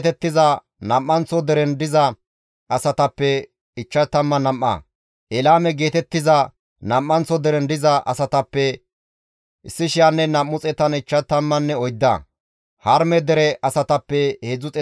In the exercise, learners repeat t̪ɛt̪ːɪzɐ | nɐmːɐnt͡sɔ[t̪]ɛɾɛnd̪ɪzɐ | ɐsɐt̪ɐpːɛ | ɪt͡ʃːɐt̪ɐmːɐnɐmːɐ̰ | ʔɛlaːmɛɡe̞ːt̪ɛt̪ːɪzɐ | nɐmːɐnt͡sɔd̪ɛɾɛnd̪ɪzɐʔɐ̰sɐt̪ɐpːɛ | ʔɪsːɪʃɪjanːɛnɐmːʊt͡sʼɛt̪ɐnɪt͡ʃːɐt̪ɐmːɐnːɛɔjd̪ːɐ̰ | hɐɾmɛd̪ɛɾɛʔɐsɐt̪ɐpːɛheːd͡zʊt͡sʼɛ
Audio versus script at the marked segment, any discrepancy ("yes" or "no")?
yes